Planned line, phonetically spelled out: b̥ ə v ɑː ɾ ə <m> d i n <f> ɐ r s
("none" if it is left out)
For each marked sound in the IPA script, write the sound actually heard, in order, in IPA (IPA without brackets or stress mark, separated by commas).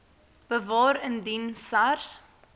n, s